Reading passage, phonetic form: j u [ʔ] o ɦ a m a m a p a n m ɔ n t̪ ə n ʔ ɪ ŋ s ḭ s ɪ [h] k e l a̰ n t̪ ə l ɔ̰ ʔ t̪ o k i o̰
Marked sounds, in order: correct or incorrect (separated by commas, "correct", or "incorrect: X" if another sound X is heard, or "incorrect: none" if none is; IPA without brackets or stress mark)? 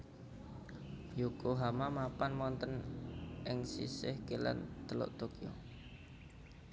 incorrect: k, correct